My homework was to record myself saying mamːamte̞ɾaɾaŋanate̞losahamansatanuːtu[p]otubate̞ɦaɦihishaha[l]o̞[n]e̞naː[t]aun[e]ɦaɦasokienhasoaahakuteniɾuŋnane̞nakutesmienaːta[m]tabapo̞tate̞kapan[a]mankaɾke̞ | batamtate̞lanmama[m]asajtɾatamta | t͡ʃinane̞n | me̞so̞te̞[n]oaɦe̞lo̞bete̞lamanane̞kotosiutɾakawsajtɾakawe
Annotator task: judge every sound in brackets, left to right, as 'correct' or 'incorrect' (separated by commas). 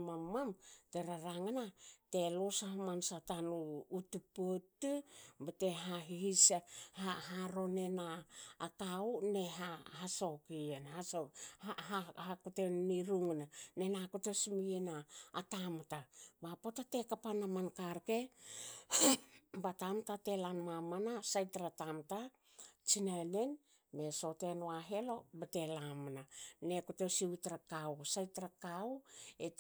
correct, incorrect, correct, incorrect, correct, correct, correct, incorrect, correct